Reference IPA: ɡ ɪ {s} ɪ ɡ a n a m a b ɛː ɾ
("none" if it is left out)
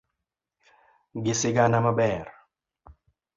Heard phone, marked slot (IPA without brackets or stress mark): s